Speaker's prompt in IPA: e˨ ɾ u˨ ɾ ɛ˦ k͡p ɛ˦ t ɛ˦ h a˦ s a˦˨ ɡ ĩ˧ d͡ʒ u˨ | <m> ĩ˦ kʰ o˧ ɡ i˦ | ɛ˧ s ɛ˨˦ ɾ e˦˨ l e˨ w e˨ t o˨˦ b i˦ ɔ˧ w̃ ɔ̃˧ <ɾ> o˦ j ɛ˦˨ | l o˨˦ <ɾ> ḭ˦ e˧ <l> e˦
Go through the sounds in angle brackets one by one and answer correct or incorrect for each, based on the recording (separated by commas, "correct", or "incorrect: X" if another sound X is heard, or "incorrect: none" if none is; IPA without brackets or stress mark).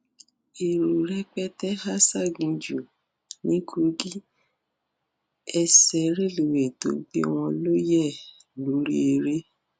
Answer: incorrect: n, incorrect: l, correct, incorrect: ɾ